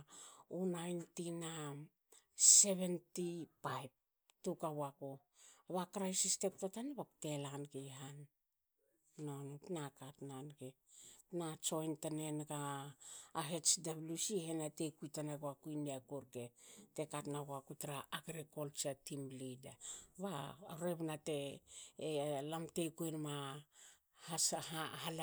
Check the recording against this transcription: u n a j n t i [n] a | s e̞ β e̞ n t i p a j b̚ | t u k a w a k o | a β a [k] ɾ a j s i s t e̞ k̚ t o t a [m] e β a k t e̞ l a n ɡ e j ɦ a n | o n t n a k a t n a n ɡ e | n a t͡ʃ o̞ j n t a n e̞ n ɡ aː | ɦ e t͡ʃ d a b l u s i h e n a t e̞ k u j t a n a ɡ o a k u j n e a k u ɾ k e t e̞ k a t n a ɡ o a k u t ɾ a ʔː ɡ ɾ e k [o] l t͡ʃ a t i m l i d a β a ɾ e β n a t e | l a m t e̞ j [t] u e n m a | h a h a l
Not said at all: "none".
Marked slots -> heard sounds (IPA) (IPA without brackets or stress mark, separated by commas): n, k, n, o, k